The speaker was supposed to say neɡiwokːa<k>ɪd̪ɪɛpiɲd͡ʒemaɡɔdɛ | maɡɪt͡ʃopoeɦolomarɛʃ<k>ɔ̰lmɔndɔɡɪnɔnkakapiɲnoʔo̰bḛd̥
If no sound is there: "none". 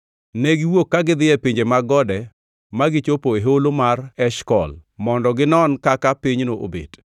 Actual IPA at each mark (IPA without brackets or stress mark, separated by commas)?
ɡ, k